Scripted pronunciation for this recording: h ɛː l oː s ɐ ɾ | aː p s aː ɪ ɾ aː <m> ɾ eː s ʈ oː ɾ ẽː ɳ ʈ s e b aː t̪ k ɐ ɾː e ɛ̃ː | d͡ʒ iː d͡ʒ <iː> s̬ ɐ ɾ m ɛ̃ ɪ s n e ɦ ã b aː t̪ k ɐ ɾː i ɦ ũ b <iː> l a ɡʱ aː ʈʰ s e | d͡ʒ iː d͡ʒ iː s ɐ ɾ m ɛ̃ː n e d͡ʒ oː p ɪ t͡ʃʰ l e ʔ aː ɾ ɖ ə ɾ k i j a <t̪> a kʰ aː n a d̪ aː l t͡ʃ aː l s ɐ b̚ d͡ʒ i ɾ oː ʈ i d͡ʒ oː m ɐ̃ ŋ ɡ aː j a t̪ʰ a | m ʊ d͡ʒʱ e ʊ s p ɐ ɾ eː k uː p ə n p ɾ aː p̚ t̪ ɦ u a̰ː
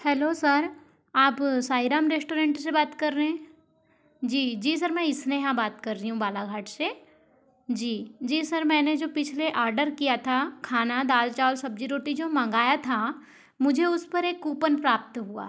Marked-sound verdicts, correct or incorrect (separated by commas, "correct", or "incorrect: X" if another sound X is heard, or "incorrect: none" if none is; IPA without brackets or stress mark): correct, correct, incorrect: aː, incorrect: t̪ʰ